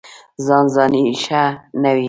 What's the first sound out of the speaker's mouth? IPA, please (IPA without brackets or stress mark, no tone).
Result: z